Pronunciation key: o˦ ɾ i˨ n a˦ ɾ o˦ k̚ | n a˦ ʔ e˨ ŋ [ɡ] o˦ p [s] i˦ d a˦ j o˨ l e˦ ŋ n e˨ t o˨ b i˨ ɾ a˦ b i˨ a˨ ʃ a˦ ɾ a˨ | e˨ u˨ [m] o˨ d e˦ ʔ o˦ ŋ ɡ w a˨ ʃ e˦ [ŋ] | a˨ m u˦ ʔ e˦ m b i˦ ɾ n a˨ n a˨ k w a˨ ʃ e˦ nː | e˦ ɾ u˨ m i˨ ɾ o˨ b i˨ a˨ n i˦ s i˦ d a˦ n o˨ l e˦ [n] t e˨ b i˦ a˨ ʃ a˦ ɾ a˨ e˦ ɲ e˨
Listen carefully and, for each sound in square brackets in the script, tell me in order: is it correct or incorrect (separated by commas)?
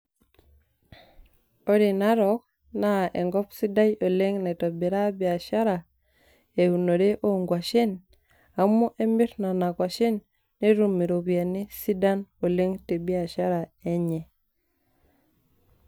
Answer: correct, correct, incorrect, incorrect, incorrect